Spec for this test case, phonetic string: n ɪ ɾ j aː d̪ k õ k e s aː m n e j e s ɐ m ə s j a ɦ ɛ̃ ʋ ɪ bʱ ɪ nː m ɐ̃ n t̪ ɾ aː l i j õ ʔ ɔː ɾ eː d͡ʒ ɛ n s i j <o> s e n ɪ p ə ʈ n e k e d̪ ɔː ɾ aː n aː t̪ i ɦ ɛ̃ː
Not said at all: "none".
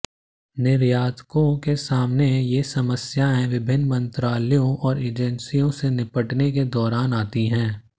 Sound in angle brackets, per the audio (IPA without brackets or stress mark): õ